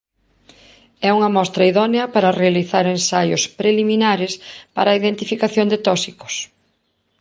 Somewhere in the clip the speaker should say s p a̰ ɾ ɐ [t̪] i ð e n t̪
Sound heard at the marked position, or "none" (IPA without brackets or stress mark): none